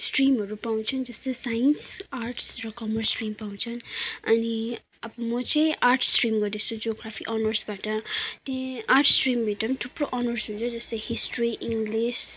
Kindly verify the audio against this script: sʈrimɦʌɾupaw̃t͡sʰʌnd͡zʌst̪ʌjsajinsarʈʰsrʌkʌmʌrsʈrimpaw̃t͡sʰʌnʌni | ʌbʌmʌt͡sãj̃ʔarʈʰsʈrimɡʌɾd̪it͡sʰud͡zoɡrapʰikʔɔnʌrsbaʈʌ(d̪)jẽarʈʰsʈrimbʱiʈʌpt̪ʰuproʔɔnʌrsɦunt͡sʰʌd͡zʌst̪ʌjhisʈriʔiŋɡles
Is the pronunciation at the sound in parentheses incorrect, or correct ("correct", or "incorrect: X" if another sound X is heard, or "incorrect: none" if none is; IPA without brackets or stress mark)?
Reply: incorrect: t̪